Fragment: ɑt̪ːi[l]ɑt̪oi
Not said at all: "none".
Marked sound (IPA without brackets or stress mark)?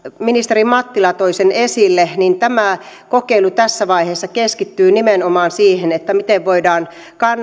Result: l